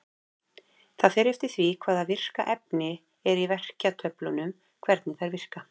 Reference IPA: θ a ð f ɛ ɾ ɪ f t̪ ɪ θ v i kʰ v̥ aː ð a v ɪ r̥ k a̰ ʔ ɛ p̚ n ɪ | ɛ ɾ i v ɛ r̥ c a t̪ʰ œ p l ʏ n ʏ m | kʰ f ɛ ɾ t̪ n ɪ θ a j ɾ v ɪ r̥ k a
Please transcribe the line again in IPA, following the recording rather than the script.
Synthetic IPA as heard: θ a ð f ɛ ɾ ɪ f t̪ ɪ θ v i kʰ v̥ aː ð a v ɪ r̥ k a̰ ʔ ɛ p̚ n ɪ | ɛ ɾ i v ɛ r̥ c a t̪ʰ œ p l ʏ n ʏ m | kʰ v ɛ ɾ t̪ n ɪ θ a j ɾ v ɪ r̥ k a